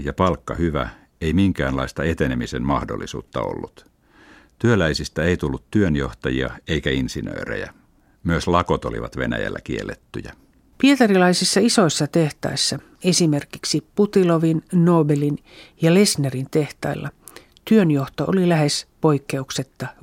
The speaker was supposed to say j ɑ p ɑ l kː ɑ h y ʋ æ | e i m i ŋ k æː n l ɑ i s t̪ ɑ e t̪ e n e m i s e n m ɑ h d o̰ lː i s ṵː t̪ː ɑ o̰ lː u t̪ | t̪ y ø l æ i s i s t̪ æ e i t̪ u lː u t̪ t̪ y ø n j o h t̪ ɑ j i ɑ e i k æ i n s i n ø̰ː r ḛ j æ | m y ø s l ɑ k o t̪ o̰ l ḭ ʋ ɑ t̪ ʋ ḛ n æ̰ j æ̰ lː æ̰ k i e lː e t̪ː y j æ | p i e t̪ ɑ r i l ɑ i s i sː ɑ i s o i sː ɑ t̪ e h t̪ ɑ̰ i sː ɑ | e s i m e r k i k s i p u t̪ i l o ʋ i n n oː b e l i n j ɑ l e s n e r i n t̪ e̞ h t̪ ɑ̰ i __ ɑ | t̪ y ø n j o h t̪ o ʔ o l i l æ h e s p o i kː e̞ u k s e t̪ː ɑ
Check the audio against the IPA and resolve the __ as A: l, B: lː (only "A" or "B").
B